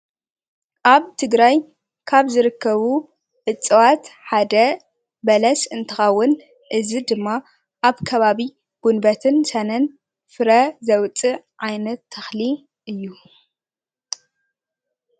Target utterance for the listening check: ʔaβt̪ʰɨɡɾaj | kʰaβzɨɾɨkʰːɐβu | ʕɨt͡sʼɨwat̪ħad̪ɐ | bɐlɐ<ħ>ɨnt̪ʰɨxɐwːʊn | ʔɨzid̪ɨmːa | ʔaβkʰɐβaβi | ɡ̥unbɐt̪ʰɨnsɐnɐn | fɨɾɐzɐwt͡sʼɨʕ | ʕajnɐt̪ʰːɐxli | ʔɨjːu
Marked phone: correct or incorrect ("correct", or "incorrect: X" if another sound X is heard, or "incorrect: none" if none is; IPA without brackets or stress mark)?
incorrect: s